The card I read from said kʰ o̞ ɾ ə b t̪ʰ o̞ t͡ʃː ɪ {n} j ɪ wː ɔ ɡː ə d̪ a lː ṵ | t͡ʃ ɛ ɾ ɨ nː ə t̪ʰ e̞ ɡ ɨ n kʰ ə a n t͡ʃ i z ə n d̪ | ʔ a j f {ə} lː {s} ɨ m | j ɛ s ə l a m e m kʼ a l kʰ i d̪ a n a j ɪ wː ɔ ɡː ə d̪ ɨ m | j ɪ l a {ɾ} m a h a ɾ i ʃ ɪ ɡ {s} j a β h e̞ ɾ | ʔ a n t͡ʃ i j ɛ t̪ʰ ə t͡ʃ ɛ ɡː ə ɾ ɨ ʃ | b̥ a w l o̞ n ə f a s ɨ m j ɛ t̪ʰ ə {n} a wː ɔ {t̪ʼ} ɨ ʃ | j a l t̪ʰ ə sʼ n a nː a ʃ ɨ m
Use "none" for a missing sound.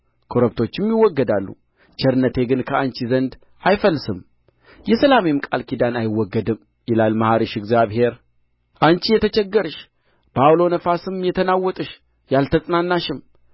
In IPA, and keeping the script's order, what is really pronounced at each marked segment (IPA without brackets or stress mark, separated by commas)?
m, ə, s, l, z, n, t̪ʼ